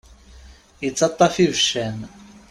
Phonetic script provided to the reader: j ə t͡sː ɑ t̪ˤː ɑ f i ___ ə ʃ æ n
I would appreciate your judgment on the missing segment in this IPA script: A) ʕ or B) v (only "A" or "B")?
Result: B